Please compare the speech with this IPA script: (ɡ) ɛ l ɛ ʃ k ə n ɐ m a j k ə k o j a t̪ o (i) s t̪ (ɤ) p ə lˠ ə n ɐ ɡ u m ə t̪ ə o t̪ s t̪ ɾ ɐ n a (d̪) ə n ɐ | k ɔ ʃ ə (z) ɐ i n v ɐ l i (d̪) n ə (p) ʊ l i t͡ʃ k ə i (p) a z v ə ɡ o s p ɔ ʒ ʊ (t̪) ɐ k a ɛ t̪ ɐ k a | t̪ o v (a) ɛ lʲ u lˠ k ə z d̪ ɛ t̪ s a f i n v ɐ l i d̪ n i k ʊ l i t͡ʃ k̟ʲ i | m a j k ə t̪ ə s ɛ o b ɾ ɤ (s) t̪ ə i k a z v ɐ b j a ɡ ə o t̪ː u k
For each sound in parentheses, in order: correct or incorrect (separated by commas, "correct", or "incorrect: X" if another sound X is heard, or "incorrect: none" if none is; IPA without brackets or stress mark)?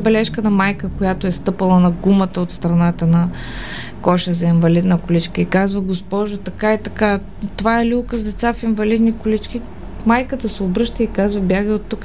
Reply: incorrect: b, incorrect: ɛ, correct, incorrect: t̪, correct, correct, incorrect: k, incorrect: k, correct, correct, incorrect: ʃ